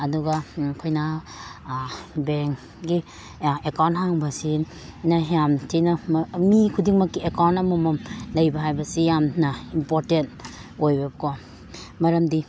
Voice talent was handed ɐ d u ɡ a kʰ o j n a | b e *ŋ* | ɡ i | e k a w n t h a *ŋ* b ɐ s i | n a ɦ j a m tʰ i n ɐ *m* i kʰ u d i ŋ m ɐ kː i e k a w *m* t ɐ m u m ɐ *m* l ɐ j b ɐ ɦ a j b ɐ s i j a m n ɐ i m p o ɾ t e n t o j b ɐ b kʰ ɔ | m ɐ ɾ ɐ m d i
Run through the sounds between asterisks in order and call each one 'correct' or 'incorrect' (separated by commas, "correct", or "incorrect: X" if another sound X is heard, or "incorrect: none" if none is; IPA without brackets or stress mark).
correct, correct, correct, incorrect: n, correct